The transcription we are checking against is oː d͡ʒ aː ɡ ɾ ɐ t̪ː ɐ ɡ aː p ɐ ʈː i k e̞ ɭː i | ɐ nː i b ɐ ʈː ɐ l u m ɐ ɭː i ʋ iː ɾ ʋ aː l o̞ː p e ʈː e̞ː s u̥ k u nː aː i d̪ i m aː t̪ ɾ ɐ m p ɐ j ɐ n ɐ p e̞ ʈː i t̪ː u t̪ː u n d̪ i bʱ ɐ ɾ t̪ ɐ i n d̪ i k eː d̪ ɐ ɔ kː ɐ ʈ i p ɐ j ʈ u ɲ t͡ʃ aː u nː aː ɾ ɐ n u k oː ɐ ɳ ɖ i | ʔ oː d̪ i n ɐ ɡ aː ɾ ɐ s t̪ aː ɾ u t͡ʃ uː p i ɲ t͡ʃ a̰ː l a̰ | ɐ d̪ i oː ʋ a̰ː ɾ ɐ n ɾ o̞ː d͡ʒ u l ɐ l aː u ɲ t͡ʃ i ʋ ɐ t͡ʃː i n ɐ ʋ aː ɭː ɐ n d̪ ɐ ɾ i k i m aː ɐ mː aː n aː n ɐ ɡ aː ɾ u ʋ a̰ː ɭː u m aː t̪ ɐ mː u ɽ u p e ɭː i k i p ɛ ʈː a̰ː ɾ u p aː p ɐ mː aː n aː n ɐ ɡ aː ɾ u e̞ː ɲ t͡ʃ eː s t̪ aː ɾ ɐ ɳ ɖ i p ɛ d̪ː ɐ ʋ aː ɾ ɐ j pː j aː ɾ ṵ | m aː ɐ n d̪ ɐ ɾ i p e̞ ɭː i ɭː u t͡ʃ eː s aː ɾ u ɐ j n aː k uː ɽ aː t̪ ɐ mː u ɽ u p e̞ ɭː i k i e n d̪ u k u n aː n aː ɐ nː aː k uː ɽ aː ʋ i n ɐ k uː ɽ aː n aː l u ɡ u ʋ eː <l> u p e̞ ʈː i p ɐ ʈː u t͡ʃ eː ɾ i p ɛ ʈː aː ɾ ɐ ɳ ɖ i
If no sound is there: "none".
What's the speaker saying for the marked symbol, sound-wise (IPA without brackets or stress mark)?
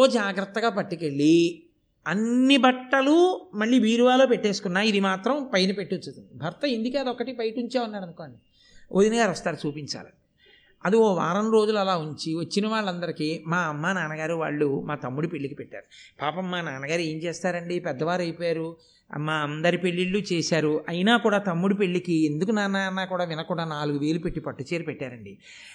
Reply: l